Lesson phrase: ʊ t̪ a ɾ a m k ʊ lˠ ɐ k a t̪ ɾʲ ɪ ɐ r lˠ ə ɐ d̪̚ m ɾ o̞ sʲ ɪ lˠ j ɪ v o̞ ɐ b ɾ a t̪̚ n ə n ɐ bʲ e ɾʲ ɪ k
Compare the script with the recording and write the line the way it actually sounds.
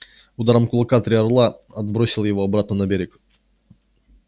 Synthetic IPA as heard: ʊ d̪ a ɾ ə m k ʊ lˠ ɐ k a t̪ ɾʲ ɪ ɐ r lˠ a ɐ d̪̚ b ɾ o̞ sʲ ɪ lˠ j ɪ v o̞ ɐ b ɾ a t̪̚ n ə n ɐ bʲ e ɾʲ ɪ k

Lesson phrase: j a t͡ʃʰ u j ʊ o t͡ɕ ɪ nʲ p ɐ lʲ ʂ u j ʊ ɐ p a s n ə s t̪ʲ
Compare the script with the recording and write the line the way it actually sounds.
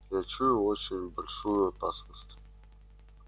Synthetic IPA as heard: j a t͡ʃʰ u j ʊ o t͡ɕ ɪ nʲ b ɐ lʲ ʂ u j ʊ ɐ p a s n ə s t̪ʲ

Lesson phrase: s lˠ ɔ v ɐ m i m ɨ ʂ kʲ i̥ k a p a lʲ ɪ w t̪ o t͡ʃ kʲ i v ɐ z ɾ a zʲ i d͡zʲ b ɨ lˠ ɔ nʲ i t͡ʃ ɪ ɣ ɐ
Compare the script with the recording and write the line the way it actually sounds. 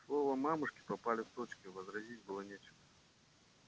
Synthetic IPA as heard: s lˠ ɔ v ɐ m a m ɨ ʂ kʲ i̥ p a p a lʲ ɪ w t̪ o t͡ʃ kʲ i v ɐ z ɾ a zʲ i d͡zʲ b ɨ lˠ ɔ nʲ e t͡ʃ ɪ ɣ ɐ

